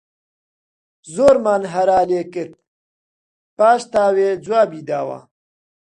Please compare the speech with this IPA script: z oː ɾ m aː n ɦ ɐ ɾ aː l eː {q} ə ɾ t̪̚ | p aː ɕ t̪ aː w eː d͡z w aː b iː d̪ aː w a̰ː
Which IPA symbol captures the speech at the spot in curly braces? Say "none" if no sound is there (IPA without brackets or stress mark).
k